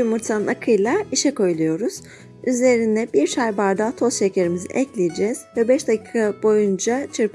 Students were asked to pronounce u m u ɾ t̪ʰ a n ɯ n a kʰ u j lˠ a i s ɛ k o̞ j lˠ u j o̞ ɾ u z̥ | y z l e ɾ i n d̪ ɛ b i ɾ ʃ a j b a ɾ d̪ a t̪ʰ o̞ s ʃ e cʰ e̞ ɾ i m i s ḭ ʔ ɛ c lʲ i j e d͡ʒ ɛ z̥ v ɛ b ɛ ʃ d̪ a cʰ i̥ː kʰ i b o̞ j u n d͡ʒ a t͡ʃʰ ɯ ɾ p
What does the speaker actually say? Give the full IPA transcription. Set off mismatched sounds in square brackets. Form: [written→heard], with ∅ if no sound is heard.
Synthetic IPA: u m u ɾ t̪ʰ a n ɯ n a kʰ [u→ɯ] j lˠ a i [s→ʃ] ɛ k o̞ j lˠ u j o̞ ɾ u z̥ | y z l e ɾ i n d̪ ɛ b i ɾ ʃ a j b a ɾ d̪ a t̪ʰ o̞ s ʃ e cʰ e̞ ɾ i m i [s→z] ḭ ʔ ɛ c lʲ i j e d͡ʒ ɛ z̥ v ɛ b ɛ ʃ d̪ a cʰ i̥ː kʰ [i→a] b o̞ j u n d͡ʒ a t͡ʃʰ ɯ ɾ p